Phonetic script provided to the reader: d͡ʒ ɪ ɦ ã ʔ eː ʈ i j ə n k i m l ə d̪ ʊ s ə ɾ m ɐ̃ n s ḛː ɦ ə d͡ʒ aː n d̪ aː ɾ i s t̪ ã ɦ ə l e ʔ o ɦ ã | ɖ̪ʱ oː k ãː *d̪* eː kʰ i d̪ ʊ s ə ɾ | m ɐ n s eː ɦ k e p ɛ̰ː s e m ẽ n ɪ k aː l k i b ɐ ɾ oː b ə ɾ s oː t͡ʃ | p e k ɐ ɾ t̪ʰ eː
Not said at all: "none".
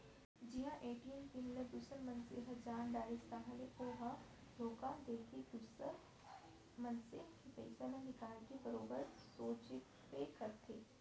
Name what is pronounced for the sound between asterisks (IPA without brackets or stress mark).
d̪